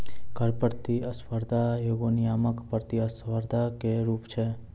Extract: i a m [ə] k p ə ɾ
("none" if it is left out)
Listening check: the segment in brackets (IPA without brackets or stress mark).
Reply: ə